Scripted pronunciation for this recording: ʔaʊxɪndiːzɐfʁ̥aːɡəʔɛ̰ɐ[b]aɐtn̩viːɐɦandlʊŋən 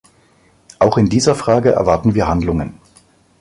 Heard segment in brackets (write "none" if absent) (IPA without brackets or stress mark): v